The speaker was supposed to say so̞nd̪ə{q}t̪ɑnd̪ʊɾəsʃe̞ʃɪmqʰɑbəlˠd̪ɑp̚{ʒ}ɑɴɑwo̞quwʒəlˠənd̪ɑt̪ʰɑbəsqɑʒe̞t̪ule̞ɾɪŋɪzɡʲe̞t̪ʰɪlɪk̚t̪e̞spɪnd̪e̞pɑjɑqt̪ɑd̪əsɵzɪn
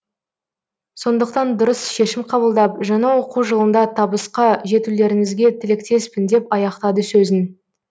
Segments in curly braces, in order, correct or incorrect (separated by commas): correct, correct